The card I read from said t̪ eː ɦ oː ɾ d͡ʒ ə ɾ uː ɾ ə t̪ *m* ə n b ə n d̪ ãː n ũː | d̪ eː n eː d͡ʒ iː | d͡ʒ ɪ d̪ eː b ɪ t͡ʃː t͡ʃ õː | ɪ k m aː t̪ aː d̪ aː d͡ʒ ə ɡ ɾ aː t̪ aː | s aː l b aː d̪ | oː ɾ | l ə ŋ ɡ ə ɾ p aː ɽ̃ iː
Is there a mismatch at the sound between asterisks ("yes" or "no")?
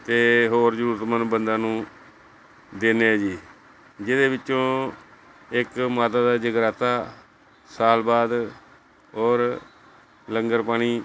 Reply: no